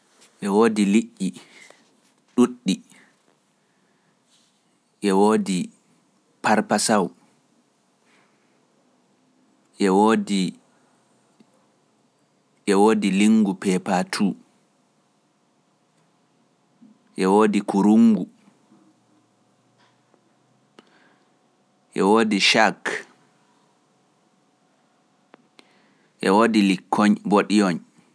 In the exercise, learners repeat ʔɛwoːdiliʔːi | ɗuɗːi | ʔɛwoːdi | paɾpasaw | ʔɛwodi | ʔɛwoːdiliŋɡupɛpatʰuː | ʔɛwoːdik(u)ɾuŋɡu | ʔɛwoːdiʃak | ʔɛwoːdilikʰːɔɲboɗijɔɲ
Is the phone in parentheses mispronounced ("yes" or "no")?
no